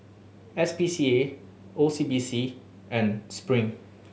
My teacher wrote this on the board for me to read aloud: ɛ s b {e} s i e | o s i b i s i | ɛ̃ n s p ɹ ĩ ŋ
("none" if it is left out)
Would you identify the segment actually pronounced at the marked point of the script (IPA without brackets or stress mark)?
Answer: i